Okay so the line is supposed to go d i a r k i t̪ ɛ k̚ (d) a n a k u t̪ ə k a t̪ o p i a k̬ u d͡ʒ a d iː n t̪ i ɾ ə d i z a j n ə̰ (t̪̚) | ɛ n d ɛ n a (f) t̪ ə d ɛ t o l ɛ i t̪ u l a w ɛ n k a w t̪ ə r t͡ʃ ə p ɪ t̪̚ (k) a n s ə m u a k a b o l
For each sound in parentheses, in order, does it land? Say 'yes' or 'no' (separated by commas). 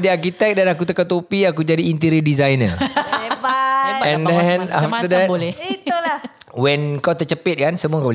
yes, no, yes, yes